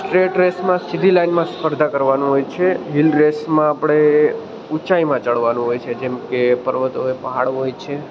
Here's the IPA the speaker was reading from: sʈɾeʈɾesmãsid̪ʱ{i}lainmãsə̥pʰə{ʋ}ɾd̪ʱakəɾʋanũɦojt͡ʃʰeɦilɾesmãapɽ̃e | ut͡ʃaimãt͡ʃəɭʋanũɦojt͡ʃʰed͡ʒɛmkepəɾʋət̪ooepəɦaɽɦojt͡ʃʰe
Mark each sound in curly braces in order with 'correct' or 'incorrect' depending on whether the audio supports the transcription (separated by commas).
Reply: correct, incorrect